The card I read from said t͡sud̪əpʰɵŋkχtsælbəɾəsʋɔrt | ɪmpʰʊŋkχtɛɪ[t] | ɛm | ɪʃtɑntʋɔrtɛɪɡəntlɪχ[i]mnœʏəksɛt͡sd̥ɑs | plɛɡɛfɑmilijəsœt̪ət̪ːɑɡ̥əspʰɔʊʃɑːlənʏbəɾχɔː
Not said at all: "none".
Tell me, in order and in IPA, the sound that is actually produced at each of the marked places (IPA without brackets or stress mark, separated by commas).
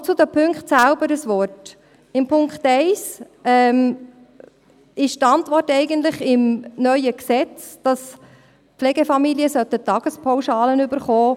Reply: s, ɪ